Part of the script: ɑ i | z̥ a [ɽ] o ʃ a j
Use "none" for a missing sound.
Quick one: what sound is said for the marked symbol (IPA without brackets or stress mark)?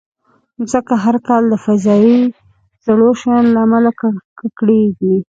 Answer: ɽ